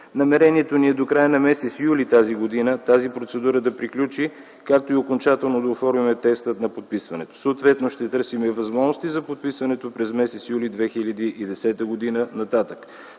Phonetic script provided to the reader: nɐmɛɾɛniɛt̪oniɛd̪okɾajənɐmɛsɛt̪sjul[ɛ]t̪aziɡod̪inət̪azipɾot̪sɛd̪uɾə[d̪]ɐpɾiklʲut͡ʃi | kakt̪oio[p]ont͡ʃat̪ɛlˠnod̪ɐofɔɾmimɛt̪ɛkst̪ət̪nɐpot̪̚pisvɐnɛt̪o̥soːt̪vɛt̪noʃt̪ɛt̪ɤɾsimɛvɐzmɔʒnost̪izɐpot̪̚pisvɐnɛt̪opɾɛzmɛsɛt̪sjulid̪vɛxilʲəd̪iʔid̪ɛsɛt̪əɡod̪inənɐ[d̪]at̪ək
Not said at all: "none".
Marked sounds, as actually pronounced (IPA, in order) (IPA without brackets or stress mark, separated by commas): i, d̪, k, t̪